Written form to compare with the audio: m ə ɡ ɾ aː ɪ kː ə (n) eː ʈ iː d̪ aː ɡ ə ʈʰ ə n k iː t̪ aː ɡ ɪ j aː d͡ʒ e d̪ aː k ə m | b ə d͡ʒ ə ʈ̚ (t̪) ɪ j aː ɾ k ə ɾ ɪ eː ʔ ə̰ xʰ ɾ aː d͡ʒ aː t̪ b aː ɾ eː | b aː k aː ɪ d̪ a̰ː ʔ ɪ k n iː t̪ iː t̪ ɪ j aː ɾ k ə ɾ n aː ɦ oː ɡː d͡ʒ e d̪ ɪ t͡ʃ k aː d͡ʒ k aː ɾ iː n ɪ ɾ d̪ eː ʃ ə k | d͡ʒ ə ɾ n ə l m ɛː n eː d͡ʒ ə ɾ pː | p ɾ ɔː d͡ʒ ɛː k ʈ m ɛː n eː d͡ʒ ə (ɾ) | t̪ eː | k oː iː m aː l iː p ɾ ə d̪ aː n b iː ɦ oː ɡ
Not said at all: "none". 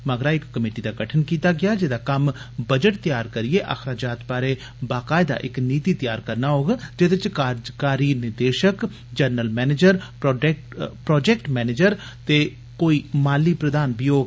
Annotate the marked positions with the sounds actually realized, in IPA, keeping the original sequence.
m, t̪, ɾ

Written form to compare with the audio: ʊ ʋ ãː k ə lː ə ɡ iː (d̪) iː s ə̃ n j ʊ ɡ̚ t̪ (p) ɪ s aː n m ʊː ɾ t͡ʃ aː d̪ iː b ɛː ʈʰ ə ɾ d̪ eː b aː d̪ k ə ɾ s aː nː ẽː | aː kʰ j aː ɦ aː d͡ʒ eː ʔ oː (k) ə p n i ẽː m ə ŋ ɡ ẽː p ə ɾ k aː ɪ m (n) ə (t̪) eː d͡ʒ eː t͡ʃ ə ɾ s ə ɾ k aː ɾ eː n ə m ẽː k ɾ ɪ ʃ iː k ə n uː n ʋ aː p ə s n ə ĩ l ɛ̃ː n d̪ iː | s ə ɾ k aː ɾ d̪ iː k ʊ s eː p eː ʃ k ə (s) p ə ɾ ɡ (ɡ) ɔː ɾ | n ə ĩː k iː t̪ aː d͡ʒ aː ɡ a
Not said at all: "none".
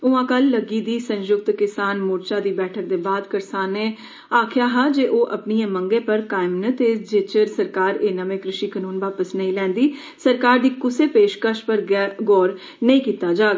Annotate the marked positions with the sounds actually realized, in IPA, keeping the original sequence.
d̪, k, ʔ, n, t̪, ʃ, ɡ

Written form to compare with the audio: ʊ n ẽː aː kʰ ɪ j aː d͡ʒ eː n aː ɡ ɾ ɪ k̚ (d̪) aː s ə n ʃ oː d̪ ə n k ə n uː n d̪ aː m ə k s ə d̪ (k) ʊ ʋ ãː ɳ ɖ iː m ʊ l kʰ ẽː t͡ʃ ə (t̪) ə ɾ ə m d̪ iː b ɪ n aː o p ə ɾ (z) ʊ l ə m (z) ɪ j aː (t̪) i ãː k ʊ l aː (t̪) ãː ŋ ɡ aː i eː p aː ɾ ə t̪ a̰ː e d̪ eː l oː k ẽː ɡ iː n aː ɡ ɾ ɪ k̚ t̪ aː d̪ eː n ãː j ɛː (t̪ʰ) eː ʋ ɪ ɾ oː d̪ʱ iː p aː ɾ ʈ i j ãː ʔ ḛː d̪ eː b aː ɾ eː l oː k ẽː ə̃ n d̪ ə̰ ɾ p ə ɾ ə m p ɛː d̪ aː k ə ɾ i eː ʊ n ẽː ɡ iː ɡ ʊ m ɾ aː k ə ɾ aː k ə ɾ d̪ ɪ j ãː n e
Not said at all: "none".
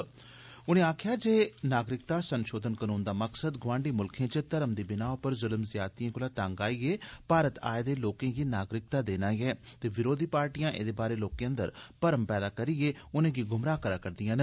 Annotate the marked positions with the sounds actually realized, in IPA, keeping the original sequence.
t̪, ɡ, t̪, z, z, t̪, t̪, t̪

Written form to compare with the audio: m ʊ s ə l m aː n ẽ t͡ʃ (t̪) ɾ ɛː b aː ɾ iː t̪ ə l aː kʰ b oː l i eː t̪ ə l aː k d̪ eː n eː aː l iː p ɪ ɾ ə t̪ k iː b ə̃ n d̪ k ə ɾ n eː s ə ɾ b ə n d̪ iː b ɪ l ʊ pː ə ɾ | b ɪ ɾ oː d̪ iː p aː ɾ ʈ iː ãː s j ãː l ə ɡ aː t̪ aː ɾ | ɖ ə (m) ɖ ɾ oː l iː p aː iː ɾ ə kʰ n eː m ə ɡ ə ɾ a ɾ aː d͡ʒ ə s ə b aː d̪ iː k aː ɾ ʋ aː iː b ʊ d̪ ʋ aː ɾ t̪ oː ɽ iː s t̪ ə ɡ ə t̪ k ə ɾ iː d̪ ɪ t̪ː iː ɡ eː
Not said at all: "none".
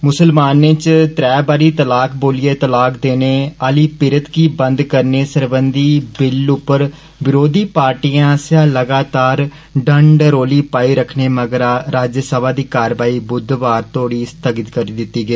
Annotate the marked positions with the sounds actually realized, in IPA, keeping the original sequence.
t̪, ɳ

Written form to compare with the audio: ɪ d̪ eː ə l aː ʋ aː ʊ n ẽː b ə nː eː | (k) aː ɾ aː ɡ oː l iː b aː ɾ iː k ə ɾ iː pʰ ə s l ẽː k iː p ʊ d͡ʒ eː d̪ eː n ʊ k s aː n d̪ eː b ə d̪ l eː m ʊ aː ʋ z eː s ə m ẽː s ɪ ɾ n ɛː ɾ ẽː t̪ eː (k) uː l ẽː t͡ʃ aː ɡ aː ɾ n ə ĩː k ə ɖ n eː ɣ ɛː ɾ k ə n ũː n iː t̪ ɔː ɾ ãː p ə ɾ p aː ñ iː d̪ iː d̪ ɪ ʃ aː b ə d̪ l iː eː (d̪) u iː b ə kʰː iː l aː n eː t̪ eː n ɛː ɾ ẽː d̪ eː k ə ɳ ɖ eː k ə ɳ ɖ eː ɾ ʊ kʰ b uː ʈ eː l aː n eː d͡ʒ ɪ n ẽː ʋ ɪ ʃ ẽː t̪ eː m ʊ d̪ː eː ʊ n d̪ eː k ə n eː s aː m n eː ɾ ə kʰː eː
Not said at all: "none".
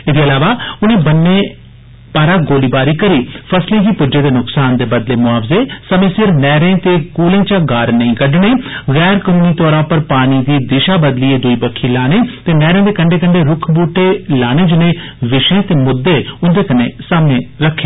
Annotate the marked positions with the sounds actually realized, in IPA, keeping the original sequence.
p, k, d̪

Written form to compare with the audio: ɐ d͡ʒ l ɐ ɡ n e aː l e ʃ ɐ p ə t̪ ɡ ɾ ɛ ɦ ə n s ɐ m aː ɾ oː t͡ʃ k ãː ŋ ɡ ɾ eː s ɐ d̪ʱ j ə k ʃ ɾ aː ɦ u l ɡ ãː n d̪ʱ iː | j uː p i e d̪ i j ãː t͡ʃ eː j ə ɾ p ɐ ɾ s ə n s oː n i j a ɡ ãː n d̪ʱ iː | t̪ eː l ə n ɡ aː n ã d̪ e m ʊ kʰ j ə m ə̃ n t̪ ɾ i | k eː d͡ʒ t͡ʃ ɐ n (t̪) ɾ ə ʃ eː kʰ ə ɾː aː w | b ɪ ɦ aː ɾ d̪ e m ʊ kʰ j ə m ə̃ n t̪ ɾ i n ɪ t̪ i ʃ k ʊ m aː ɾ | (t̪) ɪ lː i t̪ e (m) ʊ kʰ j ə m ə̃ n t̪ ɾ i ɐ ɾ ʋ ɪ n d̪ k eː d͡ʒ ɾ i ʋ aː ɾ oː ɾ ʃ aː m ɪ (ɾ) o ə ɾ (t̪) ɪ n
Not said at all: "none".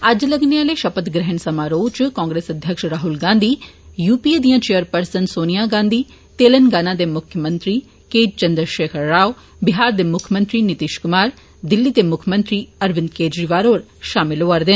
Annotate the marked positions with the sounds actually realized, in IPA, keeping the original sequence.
d̪, d̪, m, l, d̪

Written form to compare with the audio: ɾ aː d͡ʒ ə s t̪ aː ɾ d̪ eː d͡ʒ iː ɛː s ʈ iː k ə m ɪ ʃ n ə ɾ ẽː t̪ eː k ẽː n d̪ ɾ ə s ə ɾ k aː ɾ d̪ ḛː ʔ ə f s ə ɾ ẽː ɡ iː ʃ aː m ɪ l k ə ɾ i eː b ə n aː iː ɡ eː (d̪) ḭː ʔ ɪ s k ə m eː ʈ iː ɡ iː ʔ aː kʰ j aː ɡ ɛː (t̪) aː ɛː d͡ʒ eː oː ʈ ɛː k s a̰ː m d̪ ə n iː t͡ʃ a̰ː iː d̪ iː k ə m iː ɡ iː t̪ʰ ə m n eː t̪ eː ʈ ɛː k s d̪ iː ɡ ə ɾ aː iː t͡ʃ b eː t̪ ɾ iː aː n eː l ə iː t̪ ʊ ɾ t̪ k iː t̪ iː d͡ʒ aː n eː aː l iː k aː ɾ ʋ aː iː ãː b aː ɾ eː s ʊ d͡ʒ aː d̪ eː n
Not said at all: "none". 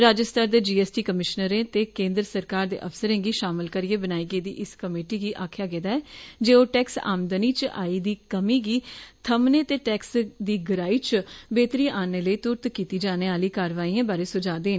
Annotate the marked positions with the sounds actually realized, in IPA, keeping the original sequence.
d̪, d̪

